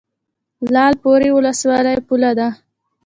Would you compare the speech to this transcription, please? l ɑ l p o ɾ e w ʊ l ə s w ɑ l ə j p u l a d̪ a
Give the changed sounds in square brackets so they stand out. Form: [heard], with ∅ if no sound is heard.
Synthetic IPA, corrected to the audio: l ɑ l p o ɾ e w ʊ l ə s w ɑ l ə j p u l a d̪ a